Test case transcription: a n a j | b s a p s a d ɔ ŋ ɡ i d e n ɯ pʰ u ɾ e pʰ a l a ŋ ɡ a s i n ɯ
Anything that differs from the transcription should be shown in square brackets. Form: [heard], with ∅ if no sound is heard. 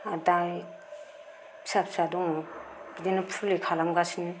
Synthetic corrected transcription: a [d] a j | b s a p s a d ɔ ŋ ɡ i d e n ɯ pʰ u [l] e [kʰ] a l a [m] ɡ a s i n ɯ

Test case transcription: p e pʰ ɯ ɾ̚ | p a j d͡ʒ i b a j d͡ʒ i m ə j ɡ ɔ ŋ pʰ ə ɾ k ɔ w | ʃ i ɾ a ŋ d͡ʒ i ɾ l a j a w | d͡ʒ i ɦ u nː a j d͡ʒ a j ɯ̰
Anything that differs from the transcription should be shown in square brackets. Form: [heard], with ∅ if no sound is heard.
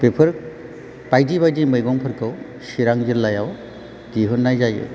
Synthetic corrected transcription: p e pʰ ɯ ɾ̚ | p a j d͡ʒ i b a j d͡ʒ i m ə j ɡ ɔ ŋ pʰ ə ɾ k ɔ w | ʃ i ɾ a ŋ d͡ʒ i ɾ l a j a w | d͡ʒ i ɦ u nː a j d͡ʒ a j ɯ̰

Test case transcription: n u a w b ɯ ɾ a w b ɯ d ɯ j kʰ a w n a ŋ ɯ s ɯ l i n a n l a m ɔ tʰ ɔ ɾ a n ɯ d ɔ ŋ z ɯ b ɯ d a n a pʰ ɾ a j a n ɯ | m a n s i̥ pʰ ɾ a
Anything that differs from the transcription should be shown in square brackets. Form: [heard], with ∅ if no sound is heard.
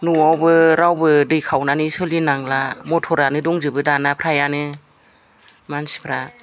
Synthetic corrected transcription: n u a w b ɯ ɾ a w b ɯ d ɯ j kʰ a w n a [n] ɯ s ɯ l i n a [ŋ] l a m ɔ tʰ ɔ ɾ a n ɯ d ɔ ŋ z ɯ b ɯ d a n a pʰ ɾ a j a n ɯ | m a n s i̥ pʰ ɾ a

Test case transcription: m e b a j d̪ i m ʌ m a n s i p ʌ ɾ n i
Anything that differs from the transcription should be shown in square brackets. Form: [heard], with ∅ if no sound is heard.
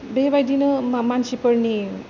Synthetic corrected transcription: [b] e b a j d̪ i [n] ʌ m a n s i p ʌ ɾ n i

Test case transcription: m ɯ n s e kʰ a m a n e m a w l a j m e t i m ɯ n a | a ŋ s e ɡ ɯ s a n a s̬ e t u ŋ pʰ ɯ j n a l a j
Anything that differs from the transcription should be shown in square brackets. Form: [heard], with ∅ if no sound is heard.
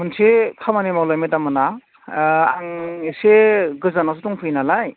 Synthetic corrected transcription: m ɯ n s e kʰ a m a n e m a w l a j m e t [a] m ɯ n a | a ŋ s e ɡ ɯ [z] a n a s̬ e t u ŋ pʰ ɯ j n a l a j

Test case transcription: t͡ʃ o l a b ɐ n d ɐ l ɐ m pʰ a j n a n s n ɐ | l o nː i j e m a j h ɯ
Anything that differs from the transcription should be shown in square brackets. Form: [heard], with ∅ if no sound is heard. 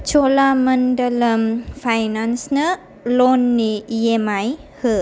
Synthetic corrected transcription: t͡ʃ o l a [m] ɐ n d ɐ l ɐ m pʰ a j n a n s n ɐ | l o nː i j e m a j h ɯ

